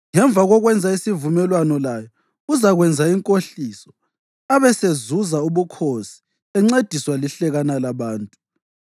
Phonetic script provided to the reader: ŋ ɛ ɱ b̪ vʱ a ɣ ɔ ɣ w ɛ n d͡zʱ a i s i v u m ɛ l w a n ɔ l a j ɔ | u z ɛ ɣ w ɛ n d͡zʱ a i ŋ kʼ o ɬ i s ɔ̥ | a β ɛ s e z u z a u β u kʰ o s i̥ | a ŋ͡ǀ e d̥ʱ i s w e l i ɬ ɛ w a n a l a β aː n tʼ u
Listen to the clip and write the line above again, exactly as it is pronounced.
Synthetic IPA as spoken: ŋ ɛ ɱ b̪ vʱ a ɣ ɔ ɣ w ɛ n d͡zʱ a i s i v u m ɛ l w a n ɔ l a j ɔ | u z a ɣ w ɛ n d͡zʱ a i ŋ kʼ o ɬ i s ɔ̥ | a β ɛ s e z u z a u β u kʰ o s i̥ | ɛ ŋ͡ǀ e d̥ʱ i s w a l i ɬ ɛ ɣ a n a l a β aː n tʼ u